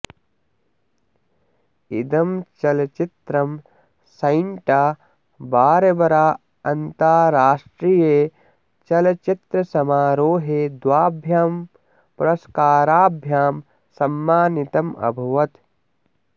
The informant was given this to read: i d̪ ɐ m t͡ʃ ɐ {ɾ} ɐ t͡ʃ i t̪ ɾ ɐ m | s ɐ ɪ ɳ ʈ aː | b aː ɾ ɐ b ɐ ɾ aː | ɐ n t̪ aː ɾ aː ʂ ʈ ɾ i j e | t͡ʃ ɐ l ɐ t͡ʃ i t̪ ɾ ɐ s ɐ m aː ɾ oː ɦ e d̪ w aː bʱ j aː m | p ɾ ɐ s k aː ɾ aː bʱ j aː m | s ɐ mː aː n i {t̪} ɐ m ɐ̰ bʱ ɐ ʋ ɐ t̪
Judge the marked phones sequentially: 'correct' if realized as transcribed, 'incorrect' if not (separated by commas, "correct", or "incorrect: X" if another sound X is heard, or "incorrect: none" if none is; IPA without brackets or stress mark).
incorrect: l, correct